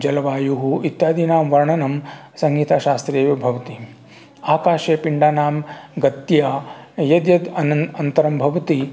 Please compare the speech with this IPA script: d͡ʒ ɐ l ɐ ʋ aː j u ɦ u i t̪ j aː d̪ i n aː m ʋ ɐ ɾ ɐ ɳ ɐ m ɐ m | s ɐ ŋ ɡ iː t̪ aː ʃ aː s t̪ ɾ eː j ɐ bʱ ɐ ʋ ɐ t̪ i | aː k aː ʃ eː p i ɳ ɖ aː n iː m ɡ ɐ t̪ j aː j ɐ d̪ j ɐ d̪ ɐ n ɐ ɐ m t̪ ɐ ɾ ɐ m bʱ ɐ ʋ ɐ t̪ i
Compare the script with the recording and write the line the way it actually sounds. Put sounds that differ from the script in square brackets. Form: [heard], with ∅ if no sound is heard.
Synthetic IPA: d͡ʒ ɐ l ɐ ʋ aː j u ɦ u i t̪ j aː d̪ i n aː m ʋ ɐ ɾ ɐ ɳ ɐ [n] ɐ m | s ɐ ŋ ɡ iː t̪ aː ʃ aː s t̪ ɾ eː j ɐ bʱ ɐ ʋ ɐ t̪ i | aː k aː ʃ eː p i ɳ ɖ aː n [aː] m ɡ ɐ t̪ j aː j ɐ d̪ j ɐ d̪ ɐ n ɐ ɐ [n] t̪ ɐ ɾ ɐ m bʱ ɐ ʋ ɐ t̪ i